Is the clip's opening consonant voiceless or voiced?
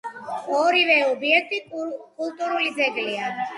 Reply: voiced